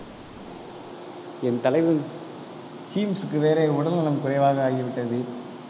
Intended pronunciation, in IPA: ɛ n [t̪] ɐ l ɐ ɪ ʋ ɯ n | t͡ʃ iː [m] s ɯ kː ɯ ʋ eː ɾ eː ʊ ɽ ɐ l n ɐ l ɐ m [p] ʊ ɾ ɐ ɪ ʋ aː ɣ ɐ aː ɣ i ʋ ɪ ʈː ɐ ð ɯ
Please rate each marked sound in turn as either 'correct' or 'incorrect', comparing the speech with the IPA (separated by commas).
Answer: correct, correct, incorrect